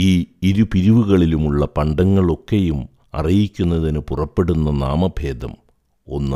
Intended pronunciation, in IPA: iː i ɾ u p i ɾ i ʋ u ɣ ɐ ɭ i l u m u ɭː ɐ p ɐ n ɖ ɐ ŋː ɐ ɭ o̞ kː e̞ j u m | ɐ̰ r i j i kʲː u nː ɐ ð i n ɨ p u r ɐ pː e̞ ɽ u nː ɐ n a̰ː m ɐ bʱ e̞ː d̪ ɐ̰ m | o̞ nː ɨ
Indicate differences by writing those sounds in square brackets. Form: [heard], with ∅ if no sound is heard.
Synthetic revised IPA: iː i ɾ u p i ɾ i ʋ u ɣ ɐ ɭ i l u m u ɭː ɐ p ɐ [ɳ] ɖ ɐ ŋː ɐ ɭ o̞ kː e̞ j u m | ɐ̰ r i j i kʲː u nː ɐ ð i n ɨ p u r ɐ pː e̞ ɽ u nː ɐ n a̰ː m ɐ bʱ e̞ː d̪ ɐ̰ m | o̞ nː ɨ